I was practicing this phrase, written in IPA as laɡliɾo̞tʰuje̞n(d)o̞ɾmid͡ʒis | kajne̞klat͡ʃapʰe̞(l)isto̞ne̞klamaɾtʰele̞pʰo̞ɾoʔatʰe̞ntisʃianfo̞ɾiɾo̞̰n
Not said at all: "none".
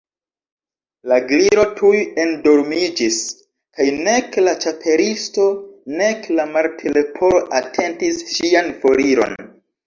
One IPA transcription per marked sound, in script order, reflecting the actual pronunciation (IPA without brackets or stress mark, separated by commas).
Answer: d, ɾ